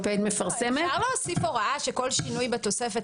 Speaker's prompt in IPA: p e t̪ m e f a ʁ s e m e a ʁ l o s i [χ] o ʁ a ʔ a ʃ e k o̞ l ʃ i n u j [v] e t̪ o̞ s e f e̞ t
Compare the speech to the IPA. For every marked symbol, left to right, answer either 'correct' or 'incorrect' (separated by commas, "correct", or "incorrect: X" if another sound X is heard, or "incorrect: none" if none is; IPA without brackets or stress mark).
incorrect: f, incorrect: b